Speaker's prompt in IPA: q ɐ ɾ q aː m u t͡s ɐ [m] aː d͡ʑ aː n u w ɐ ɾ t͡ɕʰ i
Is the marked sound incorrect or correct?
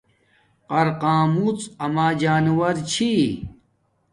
correct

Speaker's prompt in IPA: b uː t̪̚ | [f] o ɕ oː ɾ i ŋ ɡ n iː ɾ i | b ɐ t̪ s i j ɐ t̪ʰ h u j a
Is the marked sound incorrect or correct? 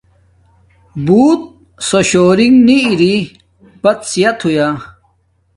incorrect: s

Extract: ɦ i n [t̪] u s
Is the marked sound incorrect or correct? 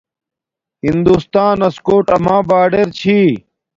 incorrect: d̪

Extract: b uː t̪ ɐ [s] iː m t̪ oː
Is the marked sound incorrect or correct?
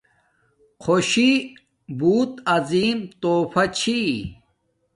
incorrect: z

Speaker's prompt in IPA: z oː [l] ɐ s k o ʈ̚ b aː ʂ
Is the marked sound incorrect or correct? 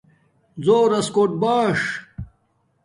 incorrect: ɾ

